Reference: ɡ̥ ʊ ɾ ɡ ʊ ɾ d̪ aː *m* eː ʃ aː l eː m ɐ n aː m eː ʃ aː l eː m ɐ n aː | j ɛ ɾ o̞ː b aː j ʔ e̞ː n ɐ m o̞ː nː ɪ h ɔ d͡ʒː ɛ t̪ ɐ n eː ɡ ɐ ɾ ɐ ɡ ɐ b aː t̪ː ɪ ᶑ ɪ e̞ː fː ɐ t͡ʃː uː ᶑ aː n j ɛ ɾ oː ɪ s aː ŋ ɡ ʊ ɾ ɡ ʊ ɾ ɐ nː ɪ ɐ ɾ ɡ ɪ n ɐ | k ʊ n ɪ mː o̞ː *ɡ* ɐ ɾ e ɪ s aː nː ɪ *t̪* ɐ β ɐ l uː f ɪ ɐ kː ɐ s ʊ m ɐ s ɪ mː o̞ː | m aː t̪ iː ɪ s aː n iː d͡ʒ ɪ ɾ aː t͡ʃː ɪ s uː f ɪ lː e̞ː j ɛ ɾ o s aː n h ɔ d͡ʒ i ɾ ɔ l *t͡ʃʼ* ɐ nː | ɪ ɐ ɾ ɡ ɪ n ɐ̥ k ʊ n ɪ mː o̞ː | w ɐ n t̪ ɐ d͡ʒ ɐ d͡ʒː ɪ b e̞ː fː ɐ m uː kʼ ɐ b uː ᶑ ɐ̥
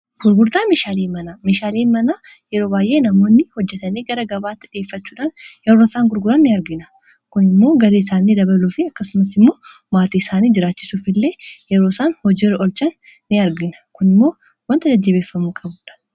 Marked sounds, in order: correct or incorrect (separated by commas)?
correct, correct, incorrect, incorrect